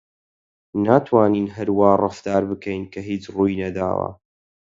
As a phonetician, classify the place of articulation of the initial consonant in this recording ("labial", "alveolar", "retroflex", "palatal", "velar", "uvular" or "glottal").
alveolar